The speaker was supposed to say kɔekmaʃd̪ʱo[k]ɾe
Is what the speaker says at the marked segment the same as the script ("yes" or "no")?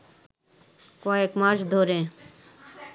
no